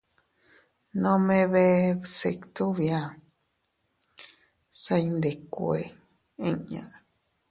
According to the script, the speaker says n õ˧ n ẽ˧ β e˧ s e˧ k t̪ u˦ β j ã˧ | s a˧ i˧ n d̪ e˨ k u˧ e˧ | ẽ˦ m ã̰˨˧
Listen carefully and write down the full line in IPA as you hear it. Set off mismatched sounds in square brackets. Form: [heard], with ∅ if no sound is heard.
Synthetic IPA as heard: n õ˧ [m] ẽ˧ β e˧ s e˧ k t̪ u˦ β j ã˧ | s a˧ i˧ n d̪ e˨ k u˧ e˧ | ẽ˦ [ɲ] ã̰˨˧